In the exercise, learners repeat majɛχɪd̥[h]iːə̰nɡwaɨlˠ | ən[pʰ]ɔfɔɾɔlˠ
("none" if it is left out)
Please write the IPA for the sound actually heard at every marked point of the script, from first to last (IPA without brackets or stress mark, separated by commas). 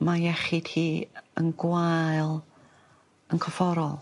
h, kʰ